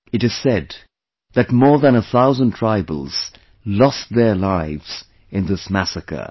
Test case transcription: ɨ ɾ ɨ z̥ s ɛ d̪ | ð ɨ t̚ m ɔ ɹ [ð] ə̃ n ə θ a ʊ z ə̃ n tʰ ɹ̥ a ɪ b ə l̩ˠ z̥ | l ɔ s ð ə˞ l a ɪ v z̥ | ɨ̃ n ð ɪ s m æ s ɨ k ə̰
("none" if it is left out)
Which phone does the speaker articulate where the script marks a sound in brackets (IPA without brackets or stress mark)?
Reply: ð